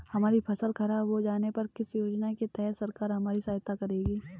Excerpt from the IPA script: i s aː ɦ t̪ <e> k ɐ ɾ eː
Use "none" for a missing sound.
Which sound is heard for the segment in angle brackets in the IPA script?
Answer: a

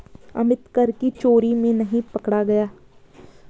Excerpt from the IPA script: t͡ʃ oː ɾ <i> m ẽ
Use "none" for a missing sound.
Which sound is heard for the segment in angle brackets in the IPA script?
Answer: i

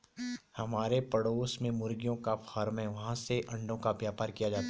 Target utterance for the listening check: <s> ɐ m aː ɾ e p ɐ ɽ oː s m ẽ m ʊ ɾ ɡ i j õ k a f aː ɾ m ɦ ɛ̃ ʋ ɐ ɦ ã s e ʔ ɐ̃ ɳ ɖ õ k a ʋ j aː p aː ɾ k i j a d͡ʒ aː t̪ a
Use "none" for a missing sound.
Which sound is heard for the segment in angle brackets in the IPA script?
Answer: h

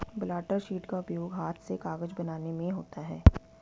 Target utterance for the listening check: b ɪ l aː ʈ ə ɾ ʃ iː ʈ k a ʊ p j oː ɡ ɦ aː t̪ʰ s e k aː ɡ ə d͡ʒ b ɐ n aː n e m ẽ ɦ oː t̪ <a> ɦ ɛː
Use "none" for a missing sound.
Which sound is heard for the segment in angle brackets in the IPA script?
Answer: a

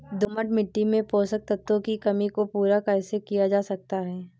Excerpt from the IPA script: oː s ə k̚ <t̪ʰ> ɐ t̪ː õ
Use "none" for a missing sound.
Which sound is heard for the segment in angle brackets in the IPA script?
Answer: t̪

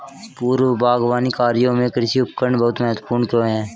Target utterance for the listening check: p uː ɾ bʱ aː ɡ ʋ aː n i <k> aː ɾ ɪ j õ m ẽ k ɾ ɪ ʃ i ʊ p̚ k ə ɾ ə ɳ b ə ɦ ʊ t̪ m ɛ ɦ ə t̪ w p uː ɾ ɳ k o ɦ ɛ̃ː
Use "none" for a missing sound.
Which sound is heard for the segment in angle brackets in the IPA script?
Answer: k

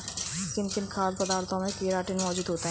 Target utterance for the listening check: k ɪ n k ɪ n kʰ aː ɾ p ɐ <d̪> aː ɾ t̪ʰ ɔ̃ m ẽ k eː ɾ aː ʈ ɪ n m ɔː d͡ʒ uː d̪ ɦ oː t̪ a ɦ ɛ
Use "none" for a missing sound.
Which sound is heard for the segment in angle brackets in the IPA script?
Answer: d̪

